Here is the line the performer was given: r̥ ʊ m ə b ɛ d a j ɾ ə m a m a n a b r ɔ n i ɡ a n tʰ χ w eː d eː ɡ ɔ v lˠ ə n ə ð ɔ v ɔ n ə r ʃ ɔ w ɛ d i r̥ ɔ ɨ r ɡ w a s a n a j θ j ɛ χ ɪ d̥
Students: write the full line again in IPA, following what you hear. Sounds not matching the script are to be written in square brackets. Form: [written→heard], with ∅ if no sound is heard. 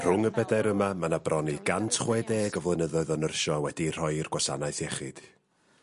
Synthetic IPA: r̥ ʊ [m→ŋ] ə b ɛ d a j ɾ ə m a m a n a b r ɔ n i ɡ a n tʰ χ w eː d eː ɡ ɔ v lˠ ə n ə ð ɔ [v→ð] ɔ n ə r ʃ ɔ w ɛ d i r̥ ɔ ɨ r ɡ w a s a n a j θ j ɛ χ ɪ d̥